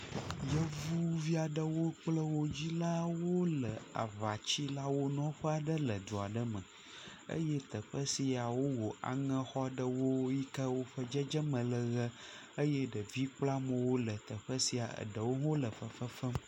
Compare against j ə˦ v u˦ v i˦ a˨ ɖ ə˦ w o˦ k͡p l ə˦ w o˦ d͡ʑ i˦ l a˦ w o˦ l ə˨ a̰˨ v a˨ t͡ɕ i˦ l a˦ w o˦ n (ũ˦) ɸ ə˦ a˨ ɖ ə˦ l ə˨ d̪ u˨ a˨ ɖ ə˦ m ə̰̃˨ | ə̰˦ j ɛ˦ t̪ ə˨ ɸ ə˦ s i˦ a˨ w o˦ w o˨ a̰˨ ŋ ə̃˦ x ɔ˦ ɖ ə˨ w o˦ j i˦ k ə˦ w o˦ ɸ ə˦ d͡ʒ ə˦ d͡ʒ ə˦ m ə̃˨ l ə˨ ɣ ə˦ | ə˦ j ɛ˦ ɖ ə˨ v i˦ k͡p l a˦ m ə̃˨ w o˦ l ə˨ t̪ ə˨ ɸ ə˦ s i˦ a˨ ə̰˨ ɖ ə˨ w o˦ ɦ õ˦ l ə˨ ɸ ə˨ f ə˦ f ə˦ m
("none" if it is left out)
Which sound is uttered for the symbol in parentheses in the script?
ɔ̃˦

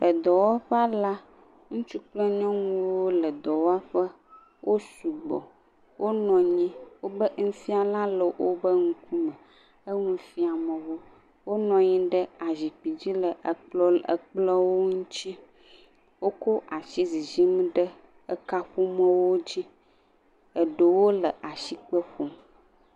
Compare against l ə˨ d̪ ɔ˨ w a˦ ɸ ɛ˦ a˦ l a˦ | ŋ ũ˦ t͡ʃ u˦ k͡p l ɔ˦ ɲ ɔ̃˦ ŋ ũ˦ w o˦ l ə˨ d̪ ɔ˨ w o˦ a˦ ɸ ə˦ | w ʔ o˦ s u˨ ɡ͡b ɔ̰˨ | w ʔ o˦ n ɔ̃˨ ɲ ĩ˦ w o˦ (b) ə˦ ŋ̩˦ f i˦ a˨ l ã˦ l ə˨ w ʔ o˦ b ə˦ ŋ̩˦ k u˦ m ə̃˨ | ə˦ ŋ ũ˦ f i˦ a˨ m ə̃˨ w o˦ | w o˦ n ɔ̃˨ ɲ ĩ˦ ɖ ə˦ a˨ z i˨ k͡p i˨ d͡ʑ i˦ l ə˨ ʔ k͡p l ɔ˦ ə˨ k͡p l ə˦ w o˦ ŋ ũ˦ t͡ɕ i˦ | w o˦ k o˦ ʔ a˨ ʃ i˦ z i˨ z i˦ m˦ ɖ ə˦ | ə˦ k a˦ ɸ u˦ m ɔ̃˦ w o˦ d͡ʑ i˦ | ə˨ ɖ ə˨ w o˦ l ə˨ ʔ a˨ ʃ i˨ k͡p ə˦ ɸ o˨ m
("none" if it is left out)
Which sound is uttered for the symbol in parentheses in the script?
b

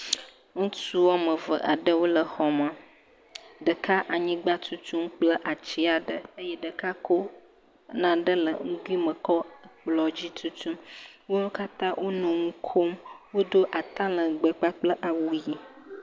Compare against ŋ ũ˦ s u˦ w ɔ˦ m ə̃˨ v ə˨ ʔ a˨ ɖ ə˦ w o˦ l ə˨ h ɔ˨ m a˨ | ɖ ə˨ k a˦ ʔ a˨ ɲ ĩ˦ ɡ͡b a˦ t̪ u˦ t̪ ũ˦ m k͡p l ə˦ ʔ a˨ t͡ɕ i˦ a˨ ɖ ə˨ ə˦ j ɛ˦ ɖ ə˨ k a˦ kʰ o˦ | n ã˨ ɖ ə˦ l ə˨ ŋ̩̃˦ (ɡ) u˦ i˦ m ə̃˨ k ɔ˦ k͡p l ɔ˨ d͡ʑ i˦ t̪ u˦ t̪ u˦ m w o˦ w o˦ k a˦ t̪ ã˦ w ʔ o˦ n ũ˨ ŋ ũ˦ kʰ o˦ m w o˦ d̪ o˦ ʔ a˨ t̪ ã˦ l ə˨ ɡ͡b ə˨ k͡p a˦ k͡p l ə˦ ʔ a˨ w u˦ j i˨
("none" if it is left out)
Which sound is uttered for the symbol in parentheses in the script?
ɡ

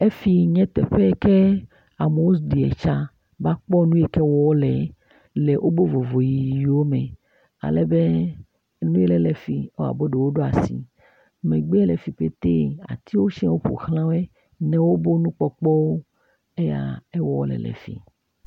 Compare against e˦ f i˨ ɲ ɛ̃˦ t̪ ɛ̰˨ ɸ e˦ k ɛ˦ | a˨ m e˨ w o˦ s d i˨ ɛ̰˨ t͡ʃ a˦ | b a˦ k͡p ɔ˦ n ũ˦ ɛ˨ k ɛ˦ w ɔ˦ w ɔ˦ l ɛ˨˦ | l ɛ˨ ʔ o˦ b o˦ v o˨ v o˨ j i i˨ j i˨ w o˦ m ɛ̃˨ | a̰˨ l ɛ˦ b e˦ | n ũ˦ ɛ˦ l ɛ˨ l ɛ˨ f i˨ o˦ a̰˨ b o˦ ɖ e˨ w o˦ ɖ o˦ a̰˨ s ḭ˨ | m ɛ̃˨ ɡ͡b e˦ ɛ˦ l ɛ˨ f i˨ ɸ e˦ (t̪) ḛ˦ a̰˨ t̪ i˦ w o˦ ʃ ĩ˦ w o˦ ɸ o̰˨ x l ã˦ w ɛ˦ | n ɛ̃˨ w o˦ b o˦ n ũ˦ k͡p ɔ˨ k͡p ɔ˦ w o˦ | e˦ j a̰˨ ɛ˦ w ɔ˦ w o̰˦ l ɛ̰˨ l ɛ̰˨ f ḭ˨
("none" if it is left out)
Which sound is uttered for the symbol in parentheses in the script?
t̪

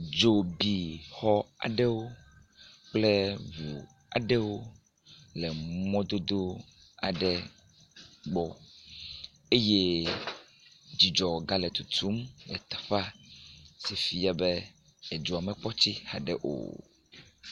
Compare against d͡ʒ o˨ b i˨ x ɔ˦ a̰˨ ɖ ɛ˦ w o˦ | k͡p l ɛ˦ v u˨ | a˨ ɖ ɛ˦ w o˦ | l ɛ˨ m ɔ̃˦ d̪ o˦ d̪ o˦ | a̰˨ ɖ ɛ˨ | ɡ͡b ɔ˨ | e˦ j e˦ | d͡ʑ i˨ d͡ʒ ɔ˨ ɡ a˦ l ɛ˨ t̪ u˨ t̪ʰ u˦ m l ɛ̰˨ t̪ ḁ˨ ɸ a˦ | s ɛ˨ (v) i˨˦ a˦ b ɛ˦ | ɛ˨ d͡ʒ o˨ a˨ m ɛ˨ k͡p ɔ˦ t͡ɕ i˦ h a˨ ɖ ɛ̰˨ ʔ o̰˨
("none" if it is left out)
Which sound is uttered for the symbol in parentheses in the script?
f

